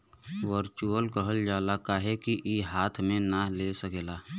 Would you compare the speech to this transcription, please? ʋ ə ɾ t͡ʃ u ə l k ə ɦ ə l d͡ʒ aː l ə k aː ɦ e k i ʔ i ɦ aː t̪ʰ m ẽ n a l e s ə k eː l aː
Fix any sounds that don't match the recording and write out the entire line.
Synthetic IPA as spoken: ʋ ə ɾ t͡ʃ u ə l k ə ɦ ə l d͡ʒ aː l a k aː ɦ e k i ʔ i ɦ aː t̪ʰ m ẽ n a l e s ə k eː l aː